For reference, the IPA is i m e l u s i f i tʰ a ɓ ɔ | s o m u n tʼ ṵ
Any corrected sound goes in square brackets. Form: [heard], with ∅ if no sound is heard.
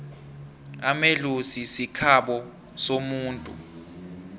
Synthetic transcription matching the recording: [a] m e l u s i [s] i [kʰ] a ɓ ɔ | s o m [uː] n tʼ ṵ

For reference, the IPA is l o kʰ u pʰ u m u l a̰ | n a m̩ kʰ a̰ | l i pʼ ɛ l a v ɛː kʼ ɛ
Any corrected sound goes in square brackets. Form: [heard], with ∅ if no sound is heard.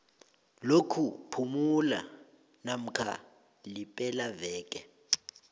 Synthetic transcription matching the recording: l o kʰ u pʰ u m u l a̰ | n a m̩ kʰ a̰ | l i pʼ ɛ l a v ɛː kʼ ɛ

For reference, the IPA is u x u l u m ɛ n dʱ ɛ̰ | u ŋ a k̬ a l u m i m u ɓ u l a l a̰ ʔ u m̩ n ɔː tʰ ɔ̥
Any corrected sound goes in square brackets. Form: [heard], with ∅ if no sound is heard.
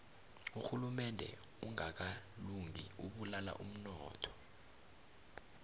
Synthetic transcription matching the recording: u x u l u m ɛ n dʱ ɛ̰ | u ŋ a k̬ a l u [ŋ] i [∅] u ɓ u l a l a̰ ʔ u m̩ n ɔː tʰ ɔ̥

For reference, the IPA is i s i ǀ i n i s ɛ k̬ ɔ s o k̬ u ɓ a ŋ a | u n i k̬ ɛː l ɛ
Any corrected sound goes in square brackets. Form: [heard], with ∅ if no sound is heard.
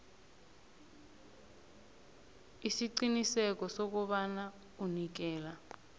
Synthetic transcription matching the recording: i s i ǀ i n i s ɛ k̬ ɔ s o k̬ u ɓ a [n] a | u n i k̬ ɛː l [a]

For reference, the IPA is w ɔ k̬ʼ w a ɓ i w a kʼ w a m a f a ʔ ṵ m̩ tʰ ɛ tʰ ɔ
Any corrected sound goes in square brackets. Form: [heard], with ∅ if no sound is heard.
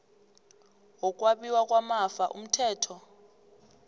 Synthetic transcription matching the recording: w ɔ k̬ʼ w a ɓ i w a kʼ w a m a f a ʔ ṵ m̩ tʰ [ɛː] tʰ ɔ

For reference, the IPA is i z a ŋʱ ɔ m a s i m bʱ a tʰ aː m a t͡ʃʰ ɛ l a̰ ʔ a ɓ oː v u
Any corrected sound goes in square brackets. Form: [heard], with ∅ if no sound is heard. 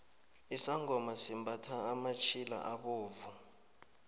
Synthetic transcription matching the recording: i [s] a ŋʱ ɔ m a s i m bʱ a tʰ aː m a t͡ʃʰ [i] l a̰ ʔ a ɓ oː v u

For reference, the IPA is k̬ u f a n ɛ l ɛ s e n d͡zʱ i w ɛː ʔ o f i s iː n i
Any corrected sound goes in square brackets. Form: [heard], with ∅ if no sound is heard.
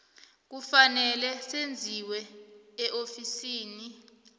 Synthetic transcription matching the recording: k̬ u f a n ɛ l ɛ s e n d͡zʱ i w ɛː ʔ o f i s iː n i

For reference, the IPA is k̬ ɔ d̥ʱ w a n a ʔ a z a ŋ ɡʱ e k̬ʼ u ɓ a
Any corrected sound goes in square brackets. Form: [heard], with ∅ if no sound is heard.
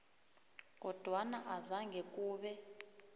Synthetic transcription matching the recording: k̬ ɔ d̥ʱ w a n a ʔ a z a ŋ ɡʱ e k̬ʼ [uː] ɓ [ɛ]

